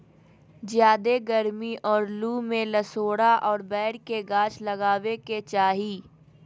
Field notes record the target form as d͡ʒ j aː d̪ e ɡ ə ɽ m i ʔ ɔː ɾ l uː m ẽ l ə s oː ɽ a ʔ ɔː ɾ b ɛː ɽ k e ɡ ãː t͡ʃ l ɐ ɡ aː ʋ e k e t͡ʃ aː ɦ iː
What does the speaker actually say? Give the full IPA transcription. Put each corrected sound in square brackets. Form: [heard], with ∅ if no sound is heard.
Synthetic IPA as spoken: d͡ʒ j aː d̪ e ɡ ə [ɾ] m i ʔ ɔː ɾ l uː m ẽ l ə s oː ɽ a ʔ ɔː ɾ b ɛː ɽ k e ɡ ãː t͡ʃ l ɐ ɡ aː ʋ e k e t͡ʃ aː ɦ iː

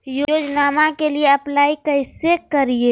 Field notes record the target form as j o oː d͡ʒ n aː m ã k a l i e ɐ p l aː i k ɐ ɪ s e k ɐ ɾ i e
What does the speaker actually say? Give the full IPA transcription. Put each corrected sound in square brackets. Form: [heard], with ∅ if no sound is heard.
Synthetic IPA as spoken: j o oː d͡ʒ n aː m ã k [e] l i e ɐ p l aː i k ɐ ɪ s e k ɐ ɾ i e

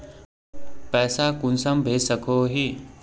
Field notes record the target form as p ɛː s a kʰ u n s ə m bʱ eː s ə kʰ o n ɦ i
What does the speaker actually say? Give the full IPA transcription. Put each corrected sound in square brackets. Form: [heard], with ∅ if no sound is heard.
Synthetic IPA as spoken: p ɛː s a [k] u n s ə m bʱ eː s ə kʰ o [∅] ɦ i

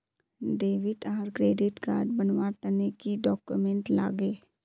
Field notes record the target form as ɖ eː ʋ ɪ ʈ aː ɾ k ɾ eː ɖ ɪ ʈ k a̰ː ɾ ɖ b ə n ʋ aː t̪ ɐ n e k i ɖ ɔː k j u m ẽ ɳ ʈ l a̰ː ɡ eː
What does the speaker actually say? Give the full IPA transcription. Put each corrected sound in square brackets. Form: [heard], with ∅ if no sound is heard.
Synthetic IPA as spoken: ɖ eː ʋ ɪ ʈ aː ɾ k ɾ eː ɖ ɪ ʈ k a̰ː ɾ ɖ b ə n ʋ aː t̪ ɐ n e k i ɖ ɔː k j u m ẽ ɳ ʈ l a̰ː ɡ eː

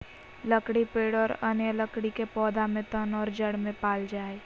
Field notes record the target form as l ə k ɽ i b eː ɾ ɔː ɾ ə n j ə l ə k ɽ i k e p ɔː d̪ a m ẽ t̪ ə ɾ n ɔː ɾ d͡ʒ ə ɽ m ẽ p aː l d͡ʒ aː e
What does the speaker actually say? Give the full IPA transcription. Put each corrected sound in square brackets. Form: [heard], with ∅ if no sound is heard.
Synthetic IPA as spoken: l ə k ɽ i [p] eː [ɽ] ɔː ɾ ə n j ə l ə k ɽ i k e p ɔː d̪ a m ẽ t̪ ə [∅] n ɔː ɾ d͡ʒ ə ɽ m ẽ p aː l d͡ʒ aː e

